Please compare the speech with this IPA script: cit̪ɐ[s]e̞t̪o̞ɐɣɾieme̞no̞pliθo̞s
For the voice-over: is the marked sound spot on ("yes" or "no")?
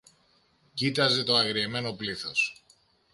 no